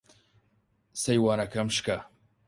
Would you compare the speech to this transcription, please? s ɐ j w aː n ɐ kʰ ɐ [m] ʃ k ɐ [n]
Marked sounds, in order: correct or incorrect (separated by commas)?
correct, incorrect